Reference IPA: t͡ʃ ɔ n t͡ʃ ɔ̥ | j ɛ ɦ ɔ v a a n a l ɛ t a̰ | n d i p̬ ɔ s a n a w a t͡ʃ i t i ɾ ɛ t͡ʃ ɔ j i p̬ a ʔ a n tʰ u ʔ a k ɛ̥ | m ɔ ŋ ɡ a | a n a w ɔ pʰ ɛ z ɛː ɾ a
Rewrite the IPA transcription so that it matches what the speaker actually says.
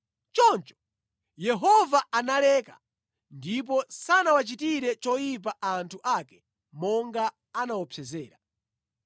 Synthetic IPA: t͡ʃ ɔ n t͡ʃ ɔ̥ | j ɛ ɦ ɔ v a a n a l ɛ k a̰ | n d i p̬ ɔ s a n a w a t͡ʃ i t i ɾ ɛ t͡ʃ ɔ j i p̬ a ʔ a n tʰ u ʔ a k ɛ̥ | m ɔ ŋ ɡ a | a n a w ɔ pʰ ɛ z ɛː ɾ a